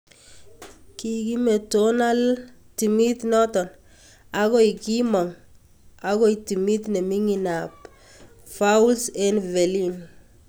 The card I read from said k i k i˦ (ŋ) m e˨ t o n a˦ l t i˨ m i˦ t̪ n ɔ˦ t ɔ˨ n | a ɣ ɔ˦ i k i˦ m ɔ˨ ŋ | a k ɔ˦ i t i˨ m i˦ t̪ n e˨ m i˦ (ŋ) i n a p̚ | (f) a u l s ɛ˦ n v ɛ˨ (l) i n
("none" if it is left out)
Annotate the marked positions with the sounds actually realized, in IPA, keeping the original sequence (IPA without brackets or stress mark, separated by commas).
none, ŋ, f, l